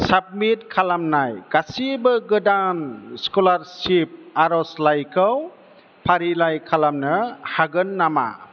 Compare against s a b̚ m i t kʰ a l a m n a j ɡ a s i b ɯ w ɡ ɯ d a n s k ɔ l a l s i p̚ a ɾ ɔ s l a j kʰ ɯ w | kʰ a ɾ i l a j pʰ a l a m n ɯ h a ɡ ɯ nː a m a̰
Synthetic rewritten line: s a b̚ m i t kʰ a l a m n a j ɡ a s i b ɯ ɡ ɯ d a n s k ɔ l a ɾ s i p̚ a ɾ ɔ s l a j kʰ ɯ w | pʰ a ɾ i l a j kʰ a l a m n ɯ h a ɡ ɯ nː a m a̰